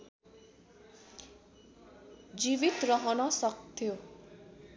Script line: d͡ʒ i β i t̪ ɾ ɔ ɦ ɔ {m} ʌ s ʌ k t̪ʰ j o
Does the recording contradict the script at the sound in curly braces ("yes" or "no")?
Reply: yes